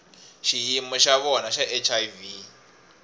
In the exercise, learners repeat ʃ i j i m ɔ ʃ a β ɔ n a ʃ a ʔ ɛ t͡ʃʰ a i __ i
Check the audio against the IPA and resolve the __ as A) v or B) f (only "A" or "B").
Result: A